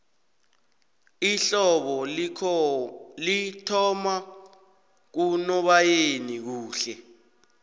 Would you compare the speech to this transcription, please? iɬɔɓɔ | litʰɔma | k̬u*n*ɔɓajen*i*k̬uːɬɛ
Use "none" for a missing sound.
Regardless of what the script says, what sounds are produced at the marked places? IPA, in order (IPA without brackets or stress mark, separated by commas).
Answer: n, i